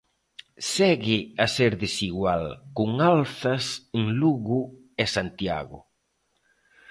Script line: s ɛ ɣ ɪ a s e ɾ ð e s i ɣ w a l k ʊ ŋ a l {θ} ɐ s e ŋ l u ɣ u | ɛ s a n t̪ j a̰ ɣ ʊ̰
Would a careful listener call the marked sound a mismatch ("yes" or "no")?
no